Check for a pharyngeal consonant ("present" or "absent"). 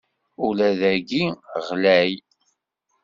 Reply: absent